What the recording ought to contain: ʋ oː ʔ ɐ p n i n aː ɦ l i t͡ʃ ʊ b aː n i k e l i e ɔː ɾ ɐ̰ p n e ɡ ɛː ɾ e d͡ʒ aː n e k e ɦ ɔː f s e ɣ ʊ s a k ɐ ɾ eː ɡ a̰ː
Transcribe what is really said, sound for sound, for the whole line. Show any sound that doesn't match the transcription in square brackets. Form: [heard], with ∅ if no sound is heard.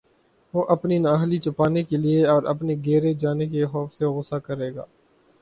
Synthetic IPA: ʋ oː ʔ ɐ p n i n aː ɦ l i t͡ʃ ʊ [p] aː n [e] k e l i e ɔː ɾ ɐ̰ p n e ɡ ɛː ɾ e d͡ʒ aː n e k e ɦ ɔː f s e ɣ ʊ s a k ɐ ɾ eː ɡ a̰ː

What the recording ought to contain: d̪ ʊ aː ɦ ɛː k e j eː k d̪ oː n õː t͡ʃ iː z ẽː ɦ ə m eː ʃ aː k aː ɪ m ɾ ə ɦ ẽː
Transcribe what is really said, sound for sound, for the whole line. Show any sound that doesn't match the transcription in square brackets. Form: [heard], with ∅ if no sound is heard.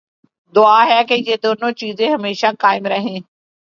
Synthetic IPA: d̪ ʊ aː ɦ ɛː k e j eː [∅] d̪ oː n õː t͡ʃ iː z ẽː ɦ ə m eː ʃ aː k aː ɪ m ɾ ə ɦ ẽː

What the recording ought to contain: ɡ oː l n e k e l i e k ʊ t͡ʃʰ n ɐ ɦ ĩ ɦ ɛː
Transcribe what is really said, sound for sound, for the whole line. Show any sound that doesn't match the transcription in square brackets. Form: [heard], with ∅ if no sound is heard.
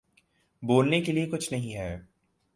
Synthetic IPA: [b] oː l n e k e l i e k ʊ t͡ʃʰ n ɐ ɦ ĩ ɦ ɛː

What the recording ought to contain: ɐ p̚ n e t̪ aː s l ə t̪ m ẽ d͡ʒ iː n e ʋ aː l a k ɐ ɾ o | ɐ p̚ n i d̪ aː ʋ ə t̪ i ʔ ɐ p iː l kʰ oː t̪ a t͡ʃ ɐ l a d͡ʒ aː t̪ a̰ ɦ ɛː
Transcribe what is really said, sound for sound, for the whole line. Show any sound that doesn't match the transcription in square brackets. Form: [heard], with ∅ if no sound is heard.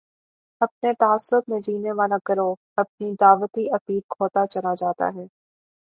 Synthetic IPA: ɐ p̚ n e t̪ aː s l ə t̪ m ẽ d͡ʒ iː n e ʋ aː l a k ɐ ɾ o | ɐ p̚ n i d̪ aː ʋ ə t̪ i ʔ ɐ p iː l kʰ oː t̪ a t͡ʃ ɐ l a d͡ʒ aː t̪ a̰ ɦ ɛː

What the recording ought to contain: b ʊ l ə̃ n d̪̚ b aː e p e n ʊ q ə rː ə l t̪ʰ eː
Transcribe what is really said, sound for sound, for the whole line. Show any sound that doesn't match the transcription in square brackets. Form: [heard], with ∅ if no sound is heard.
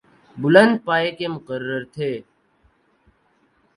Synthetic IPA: b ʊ l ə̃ n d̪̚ [p] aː e [k] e [m] ʊ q ə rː ə [ɾ] t̪ʰ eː

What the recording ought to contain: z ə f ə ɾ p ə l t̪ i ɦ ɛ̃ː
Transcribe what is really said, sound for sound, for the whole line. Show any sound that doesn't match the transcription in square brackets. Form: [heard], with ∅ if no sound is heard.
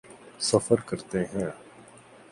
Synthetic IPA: [s] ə f ə ɾ [k] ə [ɾ] t̪ [e] ɦ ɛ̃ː

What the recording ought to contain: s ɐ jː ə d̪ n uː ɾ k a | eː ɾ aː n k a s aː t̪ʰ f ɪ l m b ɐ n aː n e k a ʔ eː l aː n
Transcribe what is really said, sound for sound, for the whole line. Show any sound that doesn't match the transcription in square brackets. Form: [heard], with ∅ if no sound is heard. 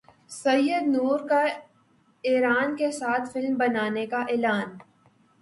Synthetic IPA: s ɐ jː ə d̪ n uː ɾ k a | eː ɾ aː n k [e] s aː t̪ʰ f ɪ l m b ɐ n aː n e k a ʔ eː l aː n

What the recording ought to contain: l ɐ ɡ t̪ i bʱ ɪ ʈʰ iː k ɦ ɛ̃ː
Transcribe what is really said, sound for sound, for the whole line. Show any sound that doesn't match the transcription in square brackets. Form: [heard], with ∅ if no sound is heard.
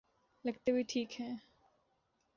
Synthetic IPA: l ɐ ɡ t̪ [e] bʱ [i] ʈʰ iː k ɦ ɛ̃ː

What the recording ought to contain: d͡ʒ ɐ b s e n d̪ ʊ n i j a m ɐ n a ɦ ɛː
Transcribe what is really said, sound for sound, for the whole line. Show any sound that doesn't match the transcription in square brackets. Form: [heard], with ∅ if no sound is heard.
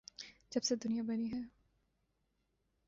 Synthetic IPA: d͡ʒ ɐ b s e [∅] d̪ ʊ n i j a [b] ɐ n [i] ɦ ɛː

